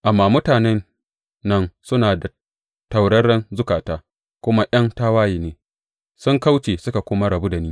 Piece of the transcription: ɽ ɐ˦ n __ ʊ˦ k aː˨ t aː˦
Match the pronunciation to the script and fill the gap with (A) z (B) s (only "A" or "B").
A